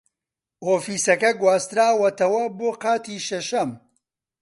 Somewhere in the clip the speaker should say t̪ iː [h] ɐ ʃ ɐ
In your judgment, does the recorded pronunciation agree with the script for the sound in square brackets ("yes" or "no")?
no